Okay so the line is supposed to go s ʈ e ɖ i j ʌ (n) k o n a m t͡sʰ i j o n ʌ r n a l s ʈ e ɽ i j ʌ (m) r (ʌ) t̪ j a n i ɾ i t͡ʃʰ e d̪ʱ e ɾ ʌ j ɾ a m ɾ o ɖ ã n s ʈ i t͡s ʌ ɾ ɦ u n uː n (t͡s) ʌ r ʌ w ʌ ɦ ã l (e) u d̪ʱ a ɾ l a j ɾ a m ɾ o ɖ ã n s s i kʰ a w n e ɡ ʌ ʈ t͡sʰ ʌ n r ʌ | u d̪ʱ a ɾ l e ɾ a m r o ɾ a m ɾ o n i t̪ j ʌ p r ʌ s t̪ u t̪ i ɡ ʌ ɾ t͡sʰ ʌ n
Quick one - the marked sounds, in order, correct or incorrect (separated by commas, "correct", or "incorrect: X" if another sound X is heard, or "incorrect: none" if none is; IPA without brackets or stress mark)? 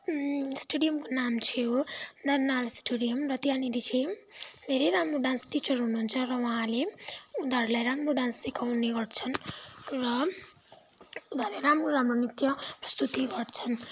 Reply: incorrect: m, correct, correct, incorrect: t͡sʰ, correct